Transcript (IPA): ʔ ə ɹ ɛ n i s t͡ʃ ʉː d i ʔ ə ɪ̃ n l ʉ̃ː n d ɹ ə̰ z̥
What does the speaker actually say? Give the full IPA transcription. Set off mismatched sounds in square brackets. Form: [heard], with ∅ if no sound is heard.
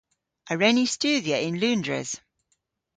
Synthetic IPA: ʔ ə ɹ ɛ n i s t͡ʃ ʉː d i [∅] ə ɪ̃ n l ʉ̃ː n d ɹ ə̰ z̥